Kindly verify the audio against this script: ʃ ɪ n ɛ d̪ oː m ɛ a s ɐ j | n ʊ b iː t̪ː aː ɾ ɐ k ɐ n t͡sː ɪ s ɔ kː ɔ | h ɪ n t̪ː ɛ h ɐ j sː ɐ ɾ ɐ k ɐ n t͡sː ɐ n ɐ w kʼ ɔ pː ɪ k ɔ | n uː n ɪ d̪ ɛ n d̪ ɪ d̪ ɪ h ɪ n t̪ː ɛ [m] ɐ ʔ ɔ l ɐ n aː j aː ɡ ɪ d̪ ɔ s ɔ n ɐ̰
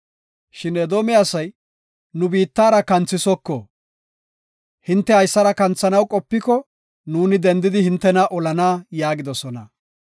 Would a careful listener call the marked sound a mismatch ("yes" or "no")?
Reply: yes